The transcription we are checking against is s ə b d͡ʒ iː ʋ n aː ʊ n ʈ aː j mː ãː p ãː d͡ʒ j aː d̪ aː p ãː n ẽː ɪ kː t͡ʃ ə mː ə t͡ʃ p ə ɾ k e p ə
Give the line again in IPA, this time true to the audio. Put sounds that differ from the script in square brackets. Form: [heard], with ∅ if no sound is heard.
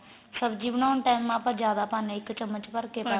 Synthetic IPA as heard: s ə b d͡ʒ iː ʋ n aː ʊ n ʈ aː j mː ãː p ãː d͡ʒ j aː d̪ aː p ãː n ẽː ɪ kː t͡ʃ ə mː ə t͡ʃ p ə ɾ k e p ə